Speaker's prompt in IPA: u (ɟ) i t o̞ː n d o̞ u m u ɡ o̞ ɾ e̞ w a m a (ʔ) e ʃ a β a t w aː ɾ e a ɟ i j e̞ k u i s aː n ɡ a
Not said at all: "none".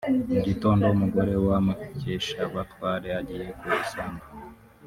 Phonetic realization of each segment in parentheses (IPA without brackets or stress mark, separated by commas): ɟ, c